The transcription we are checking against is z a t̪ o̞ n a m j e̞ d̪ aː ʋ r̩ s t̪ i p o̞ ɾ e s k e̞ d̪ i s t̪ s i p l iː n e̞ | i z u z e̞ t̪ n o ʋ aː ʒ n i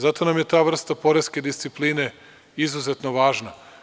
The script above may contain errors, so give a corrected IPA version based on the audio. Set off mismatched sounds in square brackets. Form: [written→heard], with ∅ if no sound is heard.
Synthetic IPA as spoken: z a t̪ o̞ n a m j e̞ [d̪→t̪] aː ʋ r̩ s t̪ [i→a] p o̞ ɾ e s k e̞ d̪ i s t̪ s i p l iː n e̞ | i z u z e̞ t̪ n o ʋ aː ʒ n [i→a]